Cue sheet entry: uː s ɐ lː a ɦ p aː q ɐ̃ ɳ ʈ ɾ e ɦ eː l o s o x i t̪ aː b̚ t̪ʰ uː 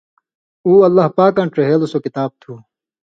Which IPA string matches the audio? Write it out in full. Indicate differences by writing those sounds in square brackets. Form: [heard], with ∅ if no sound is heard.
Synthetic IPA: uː [∅] ɐ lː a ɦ p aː [k] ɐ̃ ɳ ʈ ɾ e ɦ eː l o s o [k] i t̪ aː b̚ t̪ʰ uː